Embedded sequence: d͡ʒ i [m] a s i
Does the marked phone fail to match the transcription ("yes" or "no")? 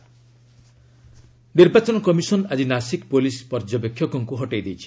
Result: yes